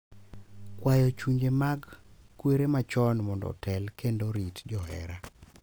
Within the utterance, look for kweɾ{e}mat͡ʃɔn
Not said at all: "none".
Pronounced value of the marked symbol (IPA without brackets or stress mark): e